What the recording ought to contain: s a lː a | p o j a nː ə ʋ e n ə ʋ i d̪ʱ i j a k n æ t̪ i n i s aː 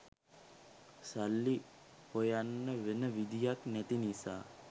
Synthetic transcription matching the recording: s a lː i | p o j a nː ə ʋ e n ə ʋ i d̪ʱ i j a k n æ t̪ i n i s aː